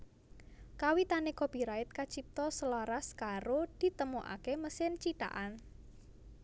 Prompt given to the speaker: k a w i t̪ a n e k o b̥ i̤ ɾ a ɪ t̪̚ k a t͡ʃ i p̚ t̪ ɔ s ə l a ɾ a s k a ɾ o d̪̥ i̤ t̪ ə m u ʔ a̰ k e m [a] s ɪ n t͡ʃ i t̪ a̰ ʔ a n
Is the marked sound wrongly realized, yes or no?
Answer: yes